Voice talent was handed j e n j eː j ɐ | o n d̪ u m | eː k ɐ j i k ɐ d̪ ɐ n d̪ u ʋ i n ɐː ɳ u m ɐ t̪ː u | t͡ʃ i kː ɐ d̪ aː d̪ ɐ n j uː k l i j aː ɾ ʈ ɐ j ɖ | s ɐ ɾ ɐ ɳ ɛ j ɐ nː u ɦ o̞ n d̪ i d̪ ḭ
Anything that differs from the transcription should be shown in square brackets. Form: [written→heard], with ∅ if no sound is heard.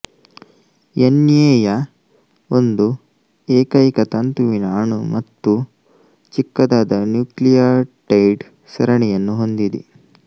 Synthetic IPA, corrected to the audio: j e n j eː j ɐ | o n d̪ u [m→∅] | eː k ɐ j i k ɐ [d̪→t̪] ɐ n [d̪→t̪] u ʋ i n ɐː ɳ u m ɐ t̪ː u | t͡ʃ i kː ɐ d̪ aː d̪ ɐ n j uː k l i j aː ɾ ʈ ɐ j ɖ | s ɐ ɾ ɐ ɳ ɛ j ɐ nː u ɦ o̞ n d̪ i d̪ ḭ